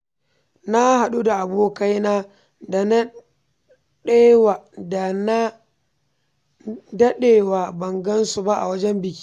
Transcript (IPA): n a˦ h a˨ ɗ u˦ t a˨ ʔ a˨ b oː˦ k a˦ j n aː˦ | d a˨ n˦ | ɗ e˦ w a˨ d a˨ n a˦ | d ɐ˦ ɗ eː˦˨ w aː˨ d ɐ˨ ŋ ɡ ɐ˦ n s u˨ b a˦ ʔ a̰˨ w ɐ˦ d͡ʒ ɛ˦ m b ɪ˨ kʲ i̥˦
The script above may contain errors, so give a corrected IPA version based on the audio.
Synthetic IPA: n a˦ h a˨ ɗ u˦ d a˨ ʔ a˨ b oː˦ k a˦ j n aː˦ | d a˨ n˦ | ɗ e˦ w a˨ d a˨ n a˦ | d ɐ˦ ɗ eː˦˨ w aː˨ b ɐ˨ ŋ ɡ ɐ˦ n s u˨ b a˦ ʔ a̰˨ w ɐ˦ d͡ʒ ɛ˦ m b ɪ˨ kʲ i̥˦